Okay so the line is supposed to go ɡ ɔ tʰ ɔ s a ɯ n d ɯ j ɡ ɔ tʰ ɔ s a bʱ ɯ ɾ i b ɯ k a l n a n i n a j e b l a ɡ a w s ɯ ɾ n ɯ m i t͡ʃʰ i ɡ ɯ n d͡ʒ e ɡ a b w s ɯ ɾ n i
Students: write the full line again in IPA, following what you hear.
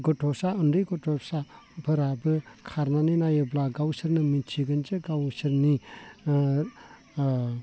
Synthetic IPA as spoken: ɡ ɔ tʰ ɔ s a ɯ n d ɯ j ɡ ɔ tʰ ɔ s a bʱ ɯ ɾ a b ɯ kʰ a ɾ n a n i n a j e b l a ɡ a w s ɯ ɾ n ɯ m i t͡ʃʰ i ɡ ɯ n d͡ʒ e ɡ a w s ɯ ɾ n i